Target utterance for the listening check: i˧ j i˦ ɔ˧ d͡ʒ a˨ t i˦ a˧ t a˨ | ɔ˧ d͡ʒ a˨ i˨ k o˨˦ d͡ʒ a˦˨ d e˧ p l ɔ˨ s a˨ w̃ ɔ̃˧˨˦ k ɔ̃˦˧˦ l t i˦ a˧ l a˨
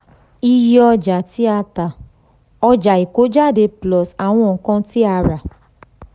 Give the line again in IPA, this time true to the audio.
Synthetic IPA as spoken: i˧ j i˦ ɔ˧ d͡ʒ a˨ t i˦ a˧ t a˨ | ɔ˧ d͡ʒ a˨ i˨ k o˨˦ d͡ʒ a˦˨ d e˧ p l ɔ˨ s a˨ w̃ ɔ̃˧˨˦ k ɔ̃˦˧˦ t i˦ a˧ ɾ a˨

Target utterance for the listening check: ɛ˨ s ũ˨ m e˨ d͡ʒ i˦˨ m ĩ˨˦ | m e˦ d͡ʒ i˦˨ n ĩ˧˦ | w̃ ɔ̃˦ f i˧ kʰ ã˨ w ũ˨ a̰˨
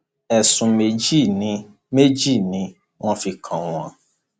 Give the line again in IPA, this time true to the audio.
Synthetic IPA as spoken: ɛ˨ s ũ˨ m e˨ d͡ʒ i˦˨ n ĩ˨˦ | m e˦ d͡ʒ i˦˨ n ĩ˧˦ | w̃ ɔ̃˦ f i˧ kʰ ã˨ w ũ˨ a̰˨

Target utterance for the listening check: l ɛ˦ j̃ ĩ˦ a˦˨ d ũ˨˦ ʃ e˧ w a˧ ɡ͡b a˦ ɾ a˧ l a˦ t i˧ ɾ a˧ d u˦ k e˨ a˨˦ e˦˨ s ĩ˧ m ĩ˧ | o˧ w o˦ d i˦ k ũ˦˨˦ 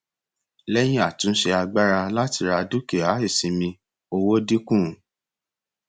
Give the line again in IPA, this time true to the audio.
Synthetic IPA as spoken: l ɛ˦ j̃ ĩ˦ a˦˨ t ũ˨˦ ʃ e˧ a˧ ɡ͡b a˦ ɾ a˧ l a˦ t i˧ ɾ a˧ d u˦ k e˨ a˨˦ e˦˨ s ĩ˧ m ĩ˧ | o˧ w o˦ d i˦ k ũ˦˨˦

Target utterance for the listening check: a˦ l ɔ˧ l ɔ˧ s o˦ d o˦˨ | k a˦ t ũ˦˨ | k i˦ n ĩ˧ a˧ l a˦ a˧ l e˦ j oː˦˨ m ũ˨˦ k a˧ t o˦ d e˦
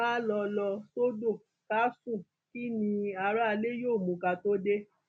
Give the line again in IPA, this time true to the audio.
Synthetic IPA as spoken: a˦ l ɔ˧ l ɔ˧ s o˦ d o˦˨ | k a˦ s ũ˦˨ | k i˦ n ĩ˧ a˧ ɾ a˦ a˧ l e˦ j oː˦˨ m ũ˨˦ k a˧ t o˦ d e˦

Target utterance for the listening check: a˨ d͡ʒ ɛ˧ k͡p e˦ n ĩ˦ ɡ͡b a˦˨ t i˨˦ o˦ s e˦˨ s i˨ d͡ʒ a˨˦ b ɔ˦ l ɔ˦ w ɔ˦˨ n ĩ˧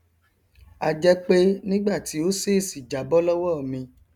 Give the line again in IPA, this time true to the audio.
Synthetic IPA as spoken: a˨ d͡ʒ ɛ˧ k͡p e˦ n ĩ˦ ɡ͡b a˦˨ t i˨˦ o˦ s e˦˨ s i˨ d͡ʒ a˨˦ b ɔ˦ l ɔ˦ w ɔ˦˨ m ĩ˧

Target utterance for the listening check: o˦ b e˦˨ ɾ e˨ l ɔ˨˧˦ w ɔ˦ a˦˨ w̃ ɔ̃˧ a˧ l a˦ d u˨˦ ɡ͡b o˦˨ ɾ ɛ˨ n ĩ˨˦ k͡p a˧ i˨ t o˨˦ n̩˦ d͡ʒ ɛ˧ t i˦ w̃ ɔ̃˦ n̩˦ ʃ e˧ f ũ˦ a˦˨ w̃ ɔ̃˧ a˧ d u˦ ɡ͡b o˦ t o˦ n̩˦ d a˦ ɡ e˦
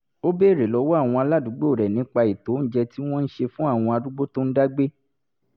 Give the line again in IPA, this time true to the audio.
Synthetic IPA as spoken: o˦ b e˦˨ ɾ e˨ l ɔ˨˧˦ w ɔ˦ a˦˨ w̃ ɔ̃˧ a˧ l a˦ d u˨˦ ɡ͡b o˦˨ ɾ ɛ˨ n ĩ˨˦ k͡p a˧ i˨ t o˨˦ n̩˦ d͡ʒ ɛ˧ t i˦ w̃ ɔ̃˦ n̩˦ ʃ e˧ f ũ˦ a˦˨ w̃ ɔ̃˧ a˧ d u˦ ɡ͡b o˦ t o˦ n̩˦ d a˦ ɡ͡b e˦

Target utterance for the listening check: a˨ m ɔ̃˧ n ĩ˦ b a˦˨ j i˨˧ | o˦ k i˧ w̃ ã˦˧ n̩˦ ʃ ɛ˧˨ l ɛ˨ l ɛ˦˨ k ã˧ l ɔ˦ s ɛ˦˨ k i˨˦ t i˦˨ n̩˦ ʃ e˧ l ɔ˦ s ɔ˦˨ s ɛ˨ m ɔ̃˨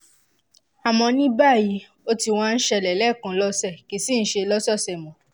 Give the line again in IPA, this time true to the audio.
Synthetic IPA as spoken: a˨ m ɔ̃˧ n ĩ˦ b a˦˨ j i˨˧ | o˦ t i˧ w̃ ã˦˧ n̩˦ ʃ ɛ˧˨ l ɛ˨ l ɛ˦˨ k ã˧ l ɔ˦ s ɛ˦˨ k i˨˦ s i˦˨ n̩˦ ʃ e˧ l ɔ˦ s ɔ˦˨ s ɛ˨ m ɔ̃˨

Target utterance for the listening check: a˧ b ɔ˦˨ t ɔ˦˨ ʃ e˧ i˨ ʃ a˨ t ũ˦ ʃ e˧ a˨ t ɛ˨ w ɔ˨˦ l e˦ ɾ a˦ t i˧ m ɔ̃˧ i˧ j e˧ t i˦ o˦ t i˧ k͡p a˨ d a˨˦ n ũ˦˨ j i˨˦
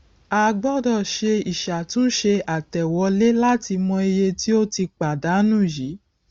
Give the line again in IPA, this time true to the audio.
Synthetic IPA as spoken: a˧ ɡ͡b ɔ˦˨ d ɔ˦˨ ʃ e˧ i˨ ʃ a˨ t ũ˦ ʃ e˧ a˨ t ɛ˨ w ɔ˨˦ l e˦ l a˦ t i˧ m ɔ̃˧ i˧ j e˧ t i˦ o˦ t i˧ k͡p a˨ d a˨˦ n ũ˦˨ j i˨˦

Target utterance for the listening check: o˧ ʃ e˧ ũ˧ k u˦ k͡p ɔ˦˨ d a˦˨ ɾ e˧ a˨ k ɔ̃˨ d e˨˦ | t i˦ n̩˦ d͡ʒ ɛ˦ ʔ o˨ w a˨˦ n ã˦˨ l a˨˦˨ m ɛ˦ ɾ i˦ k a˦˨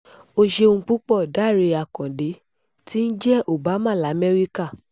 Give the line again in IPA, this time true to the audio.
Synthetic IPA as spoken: o˧ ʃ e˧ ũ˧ k͡p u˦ k͡p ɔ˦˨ d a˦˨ ɾ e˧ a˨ k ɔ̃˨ d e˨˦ | t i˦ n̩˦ d͡ʒ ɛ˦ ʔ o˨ b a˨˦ m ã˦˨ l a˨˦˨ m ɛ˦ ɾ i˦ k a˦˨

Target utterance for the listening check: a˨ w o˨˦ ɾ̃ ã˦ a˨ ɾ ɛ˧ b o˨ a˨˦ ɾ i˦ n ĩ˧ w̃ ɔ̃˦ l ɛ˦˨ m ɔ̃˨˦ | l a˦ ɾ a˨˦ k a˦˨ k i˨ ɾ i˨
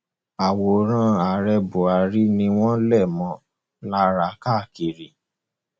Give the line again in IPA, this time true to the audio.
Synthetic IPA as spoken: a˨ w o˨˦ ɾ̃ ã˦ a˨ ɾ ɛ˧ b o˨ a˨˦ ɾ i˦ n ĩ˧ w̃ ɔ̃˦ l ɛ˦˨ m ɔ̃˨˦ | l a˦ ɾ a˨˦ k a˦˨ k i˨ ɾ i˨

